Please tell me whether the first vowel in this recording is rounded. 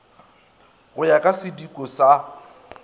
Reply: yes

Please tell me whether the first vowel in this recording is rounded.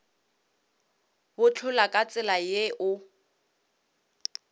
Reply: yes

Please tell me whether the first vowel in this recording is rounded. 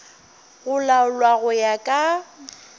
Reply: yes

